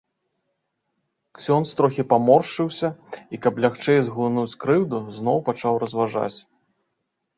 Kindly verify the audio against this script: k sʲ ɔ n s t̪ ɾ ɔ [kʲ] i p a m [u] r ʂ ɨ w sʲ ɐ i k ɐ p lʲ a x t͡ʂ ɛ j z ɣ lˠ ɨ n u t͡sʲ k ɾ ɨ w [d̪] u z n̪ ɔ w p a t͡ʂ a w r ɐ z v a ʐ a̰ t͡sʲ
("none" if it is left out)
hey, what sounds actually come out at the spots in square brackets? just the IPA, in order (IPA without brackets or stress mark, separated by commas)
xʲ, ɔ, d̪